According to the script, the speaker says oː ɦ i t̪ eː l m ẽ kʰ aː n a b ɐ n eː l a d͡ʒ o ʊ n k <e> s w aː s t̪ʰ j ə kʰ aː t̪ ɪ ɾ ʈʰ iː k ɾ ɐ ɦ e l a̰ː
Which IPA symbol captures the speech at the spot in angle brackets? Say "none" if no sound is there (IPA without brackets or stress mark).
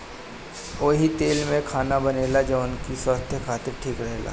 i